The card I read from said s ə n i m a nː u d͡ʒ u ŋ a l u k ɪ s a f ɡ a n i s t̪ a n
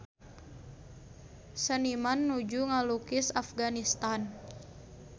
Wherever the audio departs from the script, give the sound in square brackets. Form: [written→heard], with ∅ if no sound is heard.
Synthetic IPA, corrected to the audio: s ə n i m a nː u d͡ʒ u ŋ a l u k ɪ s a f ɡ a n i s t̪ a n